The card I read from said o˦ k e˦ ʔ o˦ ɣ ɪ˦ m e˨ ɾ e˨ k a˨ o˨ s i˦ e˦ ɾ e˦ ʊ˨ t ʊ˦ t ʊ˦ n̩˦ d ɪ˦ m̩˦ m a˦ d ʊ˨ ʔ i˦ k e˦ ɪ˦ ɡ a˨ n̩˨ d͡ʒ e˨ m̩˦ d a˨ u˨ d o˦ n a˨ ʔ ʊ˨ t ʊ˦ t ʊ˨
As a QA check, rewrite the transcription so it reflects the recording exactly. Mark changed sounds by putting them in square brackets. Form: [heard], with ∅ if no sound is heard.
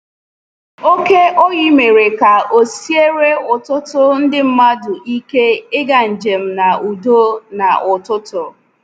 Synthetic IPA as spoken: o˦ k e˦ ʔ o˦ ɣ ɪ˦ m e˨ ɾ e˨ k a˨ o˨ s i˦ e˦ ɾ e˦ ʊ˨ t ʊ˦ t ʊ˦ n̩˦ d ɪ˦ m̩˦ m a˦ d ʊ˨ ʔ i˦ k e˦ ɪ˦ ɡ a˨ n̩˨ d͡ʒ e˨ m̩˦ [n] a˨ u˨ d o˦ n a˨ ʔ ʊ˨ t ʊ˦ t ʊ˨